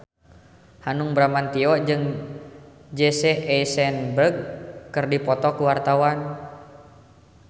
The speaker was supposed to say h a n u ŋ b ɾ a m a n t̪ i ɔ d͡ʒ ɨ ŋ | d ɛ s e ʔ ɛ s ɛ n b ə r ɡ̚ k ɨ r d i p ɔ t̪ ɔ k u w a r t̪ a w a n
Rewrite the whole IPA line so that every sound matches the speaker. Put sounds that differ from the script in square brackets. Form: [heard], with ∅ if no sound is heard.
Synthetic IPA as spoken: h a n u ŋ b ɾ a m a n t̪ i ɔ d͡ʒ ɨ ŋ | [d͡ʒ] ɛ s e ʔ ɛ s ɛ n b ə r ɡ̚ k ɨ r d i p ɔ t̪ ɔ k u w a r t̪ a w a n

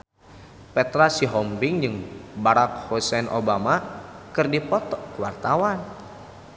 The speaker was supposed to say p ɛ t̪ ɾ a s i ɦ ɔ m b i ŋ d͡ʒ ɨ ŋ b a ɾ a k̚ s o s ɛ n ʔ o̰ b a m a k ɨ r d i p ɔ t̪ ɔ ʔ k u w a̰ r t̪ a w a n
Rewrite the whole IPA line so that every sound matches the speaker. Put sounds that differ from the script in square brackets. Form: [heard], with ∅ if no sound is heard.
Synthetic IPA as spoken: p ɛ t̪ ɾ a s i ɦ ɔ m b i ŋ d͡ʒ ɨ ŋ b a ɾ a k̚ [h] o s ɛ n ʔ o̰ b a m a k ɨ r d i p ɔ t̪ ɔ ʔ k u w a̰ r t̪ a w a n

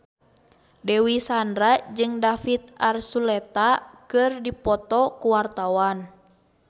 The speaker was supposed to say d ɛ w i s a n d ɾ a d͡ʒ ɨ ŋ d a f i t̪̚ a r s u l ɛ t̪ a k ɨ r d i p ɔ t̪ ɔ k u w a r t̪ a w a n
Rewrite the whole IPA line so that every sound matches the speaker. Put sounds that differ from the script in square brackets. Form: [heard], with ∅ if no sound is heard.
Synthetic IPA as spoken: d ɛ w i s a n d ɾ a d͡ʒ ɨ ŋ d a f i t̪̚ a r s u l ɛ t̪ a k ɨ r d i p ɔ t̪ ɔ k u w a r t̪ a w a n

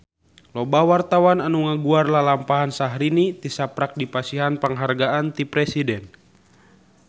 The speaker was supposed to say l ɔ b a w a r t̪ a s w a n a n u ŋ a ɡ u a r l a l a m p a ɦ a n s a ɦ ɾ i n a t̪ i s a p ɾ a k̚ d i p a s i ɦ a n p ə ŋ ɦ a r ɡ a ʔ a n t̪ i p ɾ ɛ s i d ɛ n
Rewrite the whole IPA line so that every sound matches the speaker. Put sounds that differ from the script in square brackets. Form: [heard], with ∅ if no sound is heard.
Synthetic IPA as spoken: l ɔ b a w a r t̪ a [∅] w a n a n u ŋ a ɡ u a r l a l a m p a ɦ a n s a ɦ ɾ i n [i] t̪ i s a p ɾ a k̚ d i p a s i ɦ a n p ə ŋ ɦ a r ɡ a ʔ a n t̪ i p ɾ ɛ s i d ɛ n

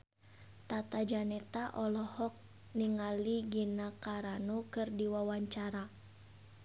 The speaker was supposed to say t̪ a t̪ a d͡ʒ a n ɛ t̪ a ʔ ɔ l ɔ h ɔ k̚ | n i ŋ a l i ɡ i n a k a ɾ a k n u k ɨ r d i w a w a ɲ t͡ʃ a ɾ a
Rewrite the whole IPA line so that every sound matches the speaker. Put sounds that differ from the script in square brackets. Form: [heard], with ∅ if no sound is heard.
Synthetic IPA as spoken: t̪ a t̪ a d͡ʒ a n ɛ t̪ a ʔ ɔ l ɔ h ɔ k̚ | n i ŋ a l i ɡ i n a k a ɾ a [∅] n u k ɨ r d i w a w a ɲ t͡ʃ a ɾ a

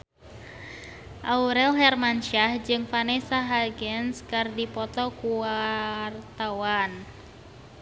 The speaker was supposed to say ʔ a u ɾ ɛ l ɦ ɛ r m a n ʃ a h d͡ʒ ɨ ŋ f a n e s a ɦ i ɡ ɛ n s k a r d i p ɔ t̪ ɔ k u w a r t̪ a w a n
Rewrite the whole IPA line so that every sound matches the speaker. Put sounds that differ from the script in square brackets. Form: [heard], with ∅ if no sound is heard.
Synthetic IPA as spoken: ʔ a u ɾ ɛ l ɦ ɛ r m a n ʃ a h d͡ʒ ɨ ŋ f a n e s a ɦ [a] ɡ ɛ n s k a r d i p ɔ t̪ ɔ k u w a r t̪ a w a n

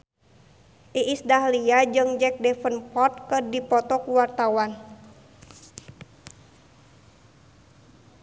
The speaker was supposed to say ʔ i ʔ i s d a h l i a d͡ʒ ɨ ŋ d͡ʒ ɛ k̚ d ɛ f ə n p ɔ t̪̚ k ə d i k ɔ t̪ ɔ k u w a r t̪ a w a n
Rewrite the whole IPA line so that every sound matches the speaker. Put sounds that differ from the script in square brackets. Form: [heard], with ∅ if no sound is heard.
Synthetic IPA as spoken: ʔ i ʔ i s d a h l i a d͡ʒ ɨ ŋ d͡ʒ ɛ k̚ d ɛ f ə n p ɔ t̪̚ k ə d i [p] ɔ t̪ ɔ k u w a r t̪ a w a n

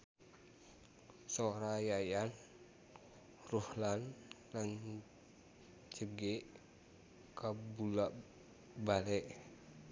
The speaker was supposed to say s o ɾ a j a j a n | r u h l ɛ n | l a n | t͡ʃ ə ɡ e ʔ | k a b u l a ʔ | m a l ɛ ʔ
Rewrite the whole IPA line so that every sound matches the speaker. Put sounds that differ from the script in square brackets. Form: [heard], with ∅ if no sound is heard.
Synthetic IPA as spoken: s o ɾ a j a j a n | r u h l [a] n | l a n | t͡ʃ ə ɡ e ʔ | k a b u l a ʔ | [b] a l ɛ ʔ

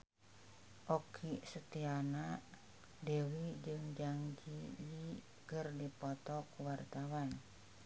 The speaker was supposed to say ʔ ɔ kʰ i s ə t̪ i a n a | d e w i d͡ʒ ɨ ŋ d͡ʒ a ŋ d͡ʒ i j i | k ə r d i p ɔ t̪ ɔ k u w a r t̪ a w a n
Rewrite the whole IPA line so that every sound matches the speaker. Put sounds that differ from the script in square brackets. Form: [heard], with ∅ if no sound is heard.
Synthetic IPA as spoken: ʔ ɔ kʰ i s ə t̪ i a n a | d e w i d͡ʒ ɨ ŋ d͡ʒ a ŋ d͡ʒ i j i | k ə r d i p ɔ t̪ ɔ k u w a r t̪ a w a n

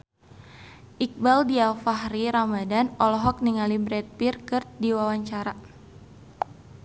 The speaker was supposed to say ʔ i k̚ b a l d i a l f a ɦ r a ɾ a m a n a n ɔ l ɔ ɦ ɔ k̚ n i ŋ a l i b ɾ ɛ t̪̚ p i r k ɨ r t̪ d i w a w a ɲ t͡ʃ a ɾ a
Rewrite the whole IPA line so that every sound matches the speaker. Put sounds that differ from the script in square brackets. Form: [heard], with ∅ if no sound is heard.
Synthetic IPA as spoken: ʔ i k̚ b a l d i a l f a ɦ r [i] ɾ a m a [d] a n ɔ l ɔ ɦ ɔ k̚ n i ŋ a l i b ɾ ɛ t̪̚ p i r k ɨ r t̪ d i w a w a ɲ t͡ʃ a ɾ a

